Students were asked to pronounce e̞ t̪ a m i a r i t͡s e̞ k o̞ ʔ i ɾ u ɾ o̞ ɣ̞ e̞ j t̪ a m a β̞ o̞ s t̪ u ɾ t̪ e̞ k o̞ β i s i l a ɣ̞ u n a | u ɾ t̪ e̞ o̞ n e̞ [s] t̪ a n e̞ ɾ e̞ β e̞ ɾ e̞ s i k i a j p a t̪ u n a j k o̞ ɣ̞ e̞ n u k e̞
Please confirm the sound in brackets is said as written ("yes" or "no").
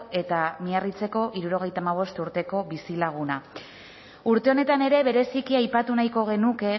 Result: no